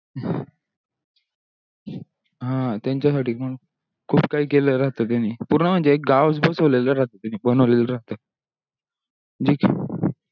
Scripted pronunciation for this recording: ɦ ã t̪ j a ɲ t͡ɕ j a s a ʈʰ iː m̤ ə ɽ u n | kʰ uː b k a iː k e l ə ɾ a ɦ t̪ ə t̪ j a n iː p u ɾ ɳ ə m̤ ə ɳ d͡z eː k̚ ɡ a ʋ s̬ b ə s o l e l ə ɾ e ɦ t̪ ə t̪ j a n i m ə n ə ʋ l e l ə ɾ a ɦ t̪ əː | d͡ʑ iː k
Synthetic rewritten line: ɦ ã t̪ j a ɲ t͡ɕ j a s a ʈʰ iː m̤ ə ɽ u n | kʰ uː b k a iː k e l ə ɾ a ɦ t̪ ə t̪ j a n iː p u ɾ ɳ ə m̤ ə ɳ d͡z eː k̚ ɡ a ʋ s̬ b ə s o l e l ə ɾ a ɦ t̪ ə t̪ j a n i b ə n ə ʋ l e l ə ɾ a ɦ t̪ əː | d͡ʑ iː k